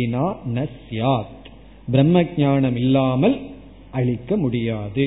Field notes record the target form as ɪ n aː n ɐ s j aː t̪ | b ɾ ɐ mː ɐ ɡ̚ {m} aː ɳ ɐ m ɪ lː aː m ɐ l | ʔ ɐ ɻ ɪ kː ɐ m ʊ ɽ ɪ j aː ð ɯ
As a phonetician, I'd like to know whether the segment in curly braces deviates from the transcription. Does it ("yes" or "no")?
yes